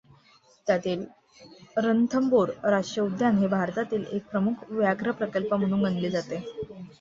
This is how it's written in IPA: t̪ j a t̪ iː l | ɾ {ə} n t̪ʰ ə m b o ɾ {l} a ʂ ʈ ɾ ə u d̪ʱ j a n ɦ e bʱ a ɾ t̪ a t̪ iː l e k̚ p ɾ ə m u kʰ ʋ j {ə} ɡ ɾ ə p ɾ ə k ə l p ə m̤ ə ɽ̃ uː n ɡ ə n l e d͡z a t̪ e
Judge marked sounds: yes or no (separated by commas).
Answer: yes, no, no